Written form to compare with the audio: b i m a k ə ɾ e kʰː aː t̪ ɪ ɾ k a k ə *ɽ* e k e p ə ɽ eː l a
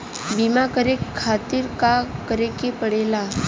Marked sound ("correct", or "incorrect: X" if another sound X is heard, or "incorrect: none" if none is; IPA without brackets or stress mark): incorrect: ɾ